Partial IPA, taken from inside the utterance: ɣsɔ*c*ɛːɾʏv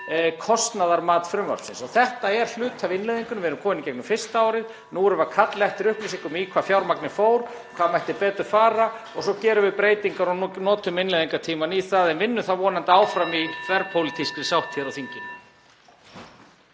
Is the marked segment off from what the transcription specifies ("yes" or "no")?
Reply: no